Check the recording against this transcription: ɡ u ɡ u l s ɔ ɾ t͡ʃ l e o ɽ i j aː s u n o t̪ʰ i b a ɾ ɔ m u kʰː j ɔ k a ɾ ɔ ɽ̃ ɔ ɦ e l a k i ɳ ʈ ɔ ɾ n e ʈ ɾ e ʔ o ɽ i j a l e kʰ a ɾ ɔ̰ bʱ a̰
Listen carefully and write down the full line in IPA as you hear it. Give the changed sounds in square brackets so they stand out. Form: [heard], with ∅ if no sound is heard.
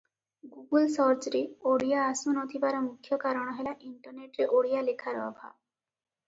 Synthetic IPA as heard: ɡ u ɡ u l s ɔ ɾ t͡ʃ [ɾ] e o ɽ i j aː s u n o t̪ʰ i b a ɾ ɔ m u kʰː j ɔ k a ɾ ɔ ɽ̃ ɔ ɦ e l a [ʔ] i ɳ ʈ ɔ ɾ n e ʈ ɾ e ʔ o ɽ i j a l e kʰ a ɾ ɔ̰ bʱ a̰